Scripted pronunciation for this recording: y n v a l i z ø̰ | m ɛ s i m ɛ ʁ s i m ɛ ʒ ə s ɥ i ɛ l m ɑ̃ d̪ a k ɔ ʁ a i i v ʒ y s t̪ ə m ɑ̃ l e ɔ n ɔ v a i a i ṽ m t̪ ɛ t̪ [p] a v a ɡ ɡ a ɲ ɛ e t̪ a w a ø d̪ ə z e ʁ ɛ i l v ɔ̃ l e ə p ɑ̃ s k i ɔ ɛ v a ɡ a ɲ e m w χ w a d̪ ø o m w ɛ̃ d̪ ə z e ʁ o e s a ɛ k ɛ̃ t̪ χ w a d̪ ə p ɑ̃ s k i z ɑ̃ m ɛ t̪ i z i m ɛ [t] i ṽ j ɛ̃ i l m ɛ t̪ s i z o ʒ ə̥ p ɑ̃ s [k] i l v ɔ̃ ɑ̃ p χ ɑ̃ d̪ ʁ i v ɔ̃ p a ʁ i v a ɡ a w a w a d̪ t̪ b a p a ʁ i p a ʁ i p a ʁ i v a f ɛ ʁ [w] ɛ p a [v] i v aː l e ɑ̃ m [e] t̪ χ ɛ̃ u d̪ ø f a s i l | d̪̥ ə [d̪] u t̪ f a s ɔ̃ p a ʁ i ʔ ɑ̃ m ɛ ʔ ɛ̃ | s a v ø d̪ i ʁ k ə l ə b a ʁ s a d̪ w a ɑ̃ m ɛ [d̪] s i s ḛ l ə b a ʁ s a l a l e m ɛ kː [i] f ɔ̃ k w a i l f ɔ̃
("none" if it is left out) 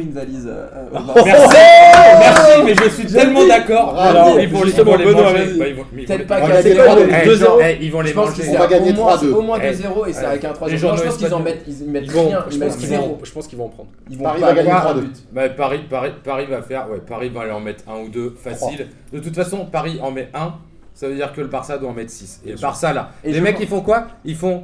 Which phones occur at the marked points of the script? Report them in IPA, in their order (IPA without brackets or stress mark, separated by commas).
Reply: p, t, k, w, ʁ, ɛ, t̪, t̪, i